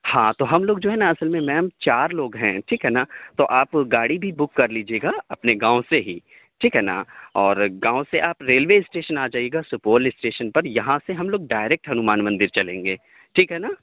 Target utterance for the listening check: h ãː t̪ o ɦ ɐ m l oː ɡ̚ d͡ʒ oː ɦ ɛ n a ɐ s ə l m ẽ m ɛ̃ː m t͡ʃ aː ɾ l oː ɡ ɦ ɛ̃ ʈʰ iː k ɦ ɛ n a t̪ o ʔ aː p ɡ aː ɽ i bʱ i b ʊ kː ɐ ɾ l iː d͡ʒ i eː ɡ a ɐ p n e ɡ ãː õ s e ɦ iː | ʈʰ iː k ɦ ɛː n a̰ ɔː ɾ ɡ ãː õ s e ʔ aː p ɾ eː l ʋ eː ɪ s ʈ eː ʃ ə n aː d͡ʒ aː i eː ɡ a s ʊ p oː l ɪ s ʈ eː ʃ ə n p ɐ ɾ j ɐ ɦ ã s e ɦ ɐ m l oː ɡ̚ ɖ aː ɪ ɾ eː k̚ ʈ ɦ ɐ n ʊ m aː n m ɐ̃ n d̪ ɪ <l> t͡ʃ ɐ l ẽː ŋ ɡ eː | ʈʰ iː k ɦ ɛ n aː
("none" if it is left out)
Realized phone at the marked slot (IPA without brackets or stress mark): ɾ